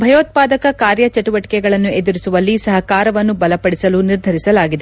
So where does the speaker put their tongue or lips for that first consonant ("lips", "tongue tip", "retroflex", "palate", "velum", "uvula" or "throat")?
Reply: lips